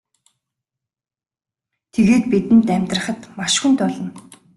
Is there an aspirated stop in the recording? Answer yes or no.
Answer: yes